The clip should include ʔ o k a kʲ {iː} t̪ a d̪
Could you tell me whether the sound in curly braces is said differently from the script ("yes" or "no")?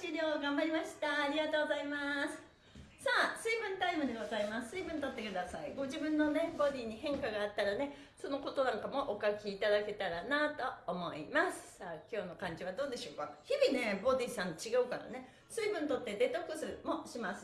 no